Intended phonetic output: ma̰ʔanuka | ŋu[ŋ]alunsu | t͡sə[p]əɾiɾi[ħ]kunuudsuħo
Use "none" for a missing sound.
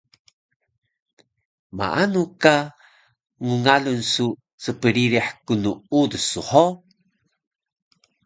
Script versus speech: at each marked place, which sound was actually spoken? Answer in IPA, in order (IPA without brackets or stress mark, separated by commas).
ŋ, p, ħ